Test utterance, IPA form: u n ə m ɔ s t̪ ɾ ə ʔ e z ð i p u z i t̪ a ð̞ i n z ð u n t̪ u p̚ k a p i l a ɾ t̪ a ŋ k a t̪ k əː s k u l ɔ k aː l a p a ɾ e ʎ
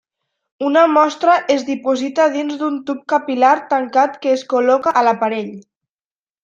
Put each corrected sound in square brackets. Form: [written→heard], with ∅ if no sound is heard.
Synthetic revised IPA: u n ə m ɔ s t̪ ɾ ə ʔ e z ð i p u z i t̪ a ð̞ i n z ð u n t̪ u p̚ k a p i l a ɾ t̪ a ŋ k a t̪ k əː s k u l ɔ k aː l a p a ɾ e ʎ